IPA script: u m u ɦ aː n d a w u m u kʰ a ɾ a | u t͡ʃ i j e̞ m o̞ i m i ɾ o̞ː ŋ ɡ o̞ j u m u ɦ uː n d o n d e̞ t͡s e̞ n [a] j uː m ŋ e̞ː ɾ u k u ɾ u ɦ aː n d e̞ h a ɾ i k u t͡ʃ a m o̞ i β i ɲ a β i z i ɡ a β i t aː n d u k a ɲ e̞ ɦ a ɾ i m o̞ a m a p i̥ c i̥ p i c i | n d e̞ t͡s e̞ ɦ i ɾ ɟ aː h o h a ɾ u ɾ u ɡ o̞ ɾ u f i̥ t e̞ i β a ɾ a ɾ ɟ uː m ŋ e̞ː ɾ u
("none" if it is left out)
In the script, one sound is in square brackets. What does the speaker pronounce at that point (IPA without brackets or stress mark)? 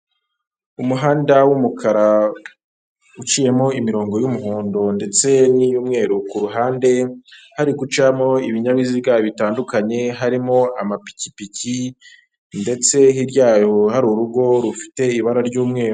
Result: i